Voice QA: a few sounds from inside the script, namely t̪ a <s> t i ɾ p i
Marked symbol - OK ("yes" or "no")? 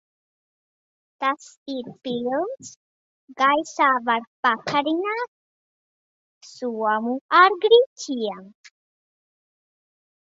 yes